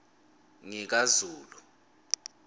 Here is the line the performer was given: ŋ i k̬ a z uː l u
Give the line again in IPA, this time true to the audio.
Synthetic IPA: ŋ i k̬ a z uː l u